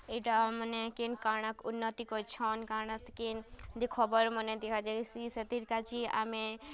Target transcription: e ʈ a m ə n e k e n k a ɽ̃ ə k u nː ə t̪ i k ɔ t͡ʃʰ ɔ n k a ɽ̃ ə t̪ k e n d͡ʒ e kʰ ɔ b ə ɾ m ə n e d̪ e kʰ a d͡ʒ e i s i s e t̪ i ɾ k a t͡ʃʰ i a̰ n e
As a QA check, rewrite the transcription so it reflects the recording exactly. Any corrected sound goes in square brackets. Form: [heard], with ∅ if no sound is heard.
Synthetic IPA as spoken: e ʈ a m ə n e k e n k a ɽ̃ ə k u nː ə t̪ i k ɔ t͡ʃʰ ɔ n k a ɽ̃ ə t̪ k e n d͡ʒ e kʰ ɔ b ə ɾ m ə n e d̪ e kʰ a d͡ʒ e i s i s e t̪ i ɾ k a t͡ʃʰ i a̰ [m] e